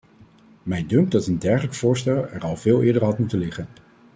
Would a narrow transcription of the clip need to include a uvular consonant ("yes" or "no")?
yes